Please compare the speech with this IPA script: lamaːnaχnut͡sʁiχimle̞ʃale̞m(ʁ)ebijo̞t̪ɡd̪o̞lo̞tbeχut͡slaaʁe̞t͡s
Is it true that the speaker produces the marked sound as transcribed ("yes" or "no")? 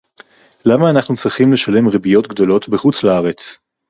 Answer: yes